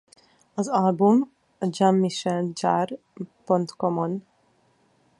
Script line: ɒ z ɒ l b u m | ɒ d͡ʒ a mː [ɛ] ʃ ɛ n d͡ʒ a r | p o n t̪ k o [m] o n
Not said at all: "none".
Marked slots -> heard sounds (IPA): i, m

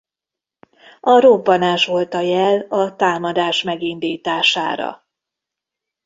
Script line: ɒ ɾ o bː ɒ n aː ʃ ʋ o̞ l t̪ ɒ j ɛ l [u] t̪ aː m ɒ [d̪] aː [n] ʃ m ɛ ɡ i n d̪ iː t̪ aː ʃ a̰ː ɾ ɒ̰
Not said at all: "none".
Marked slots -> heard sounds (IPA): ɒ, d̪, none

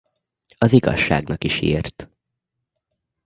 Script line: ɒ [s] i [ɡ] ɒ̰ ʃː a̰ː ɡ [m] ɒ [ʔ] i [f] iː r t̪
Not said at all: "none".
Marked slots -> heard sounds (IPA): z, ɡ, n, k, ʃ

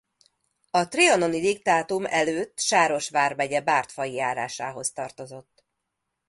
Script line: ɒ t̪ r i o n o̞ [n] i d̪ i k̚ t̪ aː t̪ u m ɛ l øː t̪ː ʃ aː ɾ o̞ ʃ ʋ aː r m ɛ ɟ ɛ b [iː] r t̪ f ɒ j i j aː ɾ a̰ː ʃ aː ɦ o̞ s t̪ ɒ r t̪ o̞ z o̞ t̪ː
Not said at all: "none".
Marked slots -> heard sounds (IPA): n, aː

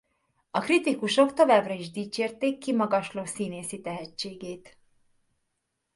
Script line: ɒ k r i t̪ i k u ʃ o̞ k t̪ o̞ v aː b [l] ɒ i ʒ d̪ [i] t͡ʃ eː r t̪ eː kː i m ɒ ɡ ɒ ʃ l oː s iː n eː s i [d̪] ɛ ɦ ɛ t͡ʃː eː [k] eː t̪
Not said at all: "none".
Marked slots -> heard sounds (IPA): r, iː, t̪, ɡ

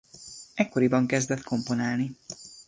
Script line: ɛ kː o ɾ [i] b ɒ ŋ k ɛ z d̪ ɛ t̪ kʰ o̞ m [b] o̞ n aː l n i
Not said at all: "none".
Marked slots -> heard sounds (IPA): i, p

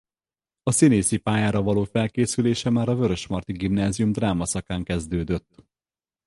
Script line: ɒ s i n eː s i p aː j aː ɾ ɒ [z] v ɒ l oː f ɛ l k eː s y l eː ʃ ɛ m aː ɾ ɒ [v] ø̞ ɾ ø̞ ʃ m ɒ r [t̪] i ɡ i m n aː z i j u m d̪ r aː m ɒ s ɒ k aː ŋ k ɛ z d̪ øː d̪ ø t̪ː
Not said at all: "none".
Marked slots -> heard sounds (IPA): none, v, t̪

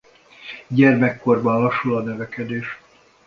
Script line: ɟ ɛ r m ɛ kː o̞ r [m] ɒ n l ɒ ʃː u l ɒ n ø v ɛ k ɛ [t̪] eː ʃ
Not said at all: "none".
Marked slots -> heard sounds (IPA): b, d̪

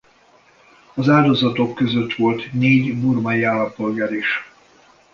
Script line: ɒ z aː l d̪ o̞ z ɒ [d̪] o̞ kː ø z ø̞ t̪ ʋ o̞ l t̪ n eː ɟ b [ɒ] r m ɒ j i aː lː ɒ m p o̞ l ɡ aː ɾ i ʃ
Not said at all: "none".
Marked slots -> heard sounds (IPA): t̪, u

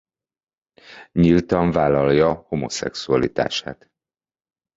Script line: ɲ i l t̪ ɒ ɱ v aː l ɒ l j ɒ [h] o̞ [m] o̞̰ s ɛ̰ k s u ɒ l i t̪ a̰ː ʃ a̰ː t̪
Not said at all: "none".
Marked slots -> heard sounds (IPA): h, m

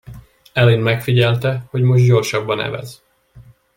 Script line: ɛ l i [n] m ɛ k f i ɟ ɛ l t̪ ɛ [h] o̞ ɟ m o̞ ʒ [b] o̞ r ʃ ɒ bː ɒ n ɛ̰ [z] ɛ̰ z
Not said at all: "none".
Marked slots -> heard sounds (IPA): n, h, ɟ, v

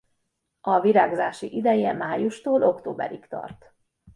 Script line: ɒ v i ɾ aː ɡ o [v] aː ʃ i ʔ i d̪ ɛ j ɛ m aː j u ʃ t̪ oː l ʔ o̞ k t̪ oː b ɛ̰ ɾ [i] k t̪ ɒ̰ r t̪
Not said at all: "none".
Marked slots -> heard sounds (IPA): z, i

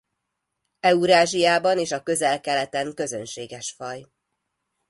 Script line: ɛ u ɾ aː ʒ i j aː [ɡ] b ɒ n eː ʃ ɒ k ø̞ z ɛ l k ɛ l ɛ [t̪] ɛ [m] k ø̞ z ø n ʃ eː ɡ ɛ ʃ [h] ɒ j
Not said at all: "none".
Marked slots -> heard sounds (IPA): none, t̪, ŋ, f

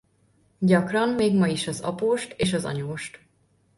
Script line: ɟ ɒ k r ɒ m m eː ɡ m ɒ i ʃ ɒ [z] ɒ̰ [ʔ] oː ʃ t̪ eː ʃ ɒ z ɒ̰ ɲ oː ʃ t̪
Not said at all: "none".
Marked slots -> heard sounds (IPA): z, p

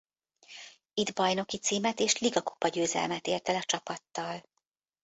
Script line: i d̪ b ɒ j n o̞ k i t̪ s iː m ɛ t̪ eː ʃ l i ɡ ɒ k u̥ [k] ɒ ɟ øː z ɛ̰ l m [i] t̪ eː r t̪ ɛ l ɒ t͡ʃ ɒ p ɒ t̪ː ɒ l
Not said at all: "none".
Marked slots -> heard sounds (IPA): p, ɛ

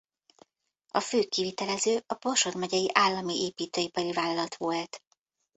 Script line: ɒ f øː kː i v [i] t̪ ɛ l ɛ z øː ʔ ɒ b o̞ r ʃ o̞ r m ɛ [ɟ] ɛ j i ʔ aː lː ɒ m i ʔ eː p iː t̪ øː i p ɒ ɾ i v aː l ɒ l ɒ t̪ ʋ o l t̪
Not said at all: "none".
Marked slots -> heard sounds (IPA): i, ɟ

